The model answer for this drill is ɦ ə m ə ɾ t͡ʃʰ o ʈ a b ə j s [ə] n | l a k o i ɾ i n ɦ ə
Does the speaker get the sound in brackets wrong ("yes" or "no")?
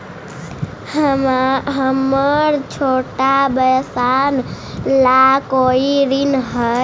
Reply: yes